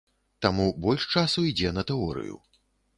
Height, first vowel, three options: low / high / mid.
low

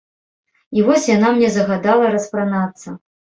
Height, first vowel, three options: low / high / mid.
high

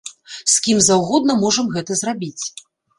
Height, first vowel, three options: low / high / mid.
high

